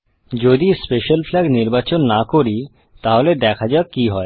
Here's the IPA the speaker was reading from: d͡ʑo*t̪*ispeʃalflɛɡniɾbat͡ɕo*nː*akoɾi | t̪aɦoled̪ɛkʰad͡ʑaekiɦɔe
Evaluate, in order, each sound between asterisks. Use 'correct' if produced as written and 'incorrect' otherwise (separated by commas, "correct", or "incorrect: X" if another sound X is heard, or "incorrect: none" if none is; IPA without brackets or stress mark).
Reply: incorrect: d̪, correct